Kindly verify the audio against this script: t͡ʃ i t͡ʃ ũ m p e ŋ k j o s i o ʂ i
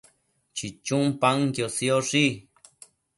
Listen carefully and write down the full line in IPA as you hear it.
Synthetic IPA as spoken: t͡ʃ i t͡ʃ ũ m p a ŋ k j o s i o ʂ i